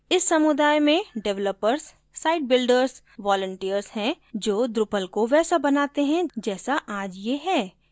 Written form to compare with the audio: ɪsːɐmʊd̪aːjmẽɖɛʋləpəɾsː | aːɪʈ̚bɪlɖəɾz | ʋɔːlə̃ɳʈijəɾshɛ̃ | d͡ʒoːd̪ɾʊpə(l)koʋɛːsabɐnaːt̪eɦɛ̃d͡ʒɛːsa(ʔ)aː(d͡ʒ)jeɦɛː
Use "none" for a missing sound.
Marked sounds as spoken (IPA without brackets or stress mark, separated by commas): l, ʔ, d͡ʒ